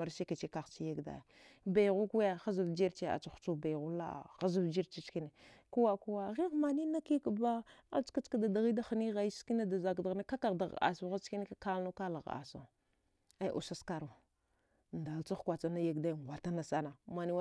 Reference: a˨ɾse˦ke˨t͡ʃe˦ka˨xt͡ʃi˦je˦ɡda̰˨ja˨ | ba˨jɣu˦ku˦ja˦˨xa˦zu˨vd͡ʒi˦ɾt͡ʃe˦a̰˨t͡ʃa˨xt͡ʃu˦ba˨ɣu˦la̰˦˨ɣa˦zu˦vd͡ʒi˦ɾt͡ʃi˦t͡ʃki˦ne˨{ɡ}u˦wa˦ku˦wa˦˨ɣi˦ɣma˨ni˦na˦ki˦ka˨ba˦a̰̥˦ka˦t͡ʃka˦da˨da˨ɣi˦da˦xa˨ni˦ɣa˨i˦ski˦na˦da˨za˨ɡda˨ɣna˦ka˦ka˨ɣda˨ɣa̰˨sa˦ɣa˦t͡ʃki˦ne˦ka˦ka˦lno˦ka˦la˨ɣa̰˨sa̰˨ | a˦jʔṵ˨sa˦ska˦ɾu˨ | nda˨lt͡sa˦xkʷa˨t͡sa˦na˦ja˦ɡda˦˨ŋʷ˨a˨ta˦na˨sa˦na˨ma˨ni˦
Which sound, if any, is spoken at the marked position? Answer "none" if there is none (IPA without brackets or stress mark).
k